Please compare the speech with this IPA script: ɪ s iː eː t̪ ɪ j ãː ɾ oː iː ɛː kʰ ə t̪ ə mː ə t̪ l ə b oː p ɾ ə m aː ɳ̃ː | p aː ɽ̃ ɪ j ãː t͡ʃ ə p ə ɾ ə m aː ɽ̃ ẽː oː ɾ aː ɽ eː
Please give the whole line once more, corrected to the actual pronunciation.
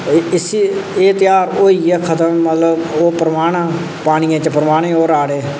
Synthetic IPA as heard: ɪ s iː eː t̪ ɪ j aː ɾ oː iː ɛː kʰ ə t̪ ə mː ə t̪ l ə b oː p ɾ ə m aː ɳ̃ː | p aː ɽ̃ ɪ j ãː t͡ʃ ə p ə ɾ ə m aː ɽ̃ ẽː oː ɾ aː ɽ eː